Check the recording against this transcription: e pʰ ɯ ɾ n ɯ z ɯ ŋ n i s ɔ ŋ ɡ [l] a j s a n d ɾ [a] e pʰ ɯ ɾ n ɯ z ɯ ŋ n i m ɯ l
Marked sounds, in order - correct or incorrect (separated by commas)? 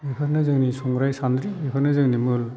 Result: incorrect, incorrect